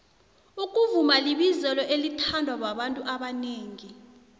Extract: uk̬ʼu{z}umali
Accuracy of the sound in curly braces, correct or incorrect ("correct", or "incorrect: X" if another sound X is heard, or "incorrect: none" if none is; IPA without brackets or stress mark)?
incorrect: v